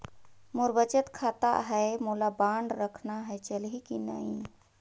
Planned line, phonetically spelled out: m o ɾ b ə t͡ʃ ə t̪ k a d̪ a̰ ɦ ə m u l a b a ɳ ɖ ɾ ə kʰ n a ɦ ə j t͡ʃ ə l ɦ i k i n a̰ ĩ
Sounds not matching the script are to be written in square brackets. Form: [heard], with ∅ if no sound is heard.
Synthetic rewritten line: m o ɾ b ə t͡ʃ ə t̪ [kʰ] a [t̪] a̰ ɦ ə m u l a b a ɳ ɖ ɾ ə kʰ n a ɦ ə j t͡ʃ ə l ɦ i k i n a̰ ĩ